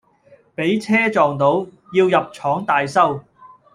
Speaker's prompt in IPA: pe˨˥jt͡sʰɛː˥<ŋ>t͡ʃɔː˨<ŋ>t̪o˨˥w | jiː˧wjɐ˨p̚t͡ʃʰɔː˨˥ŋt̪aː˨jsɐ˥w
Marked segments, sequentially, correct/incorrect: incorrect: none, correct

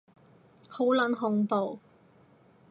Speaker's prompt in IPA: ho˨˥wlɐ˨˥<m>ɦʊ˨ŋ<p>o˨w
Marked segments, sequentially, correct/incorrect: incorrect: n, correct

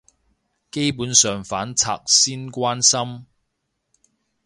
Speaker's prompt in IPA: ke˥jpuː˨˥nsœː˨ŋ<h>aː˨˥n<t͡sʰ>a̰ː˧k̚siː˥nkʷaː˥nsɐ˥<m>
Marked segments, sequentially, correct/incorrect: incorrect: f, correct, correct

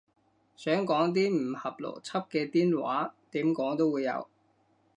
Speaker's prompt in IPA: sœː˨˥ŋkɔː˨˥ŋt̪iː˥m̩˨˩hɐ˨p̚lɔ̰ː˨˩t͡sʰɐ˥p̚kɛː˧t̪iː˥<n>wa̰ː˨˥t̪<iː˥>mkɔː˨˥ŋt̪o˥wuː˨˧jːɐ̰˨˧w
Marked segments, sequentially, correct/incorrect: correct, incorrect: iː˨˥

